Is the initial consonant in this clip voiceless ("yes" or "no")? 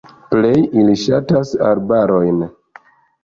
yes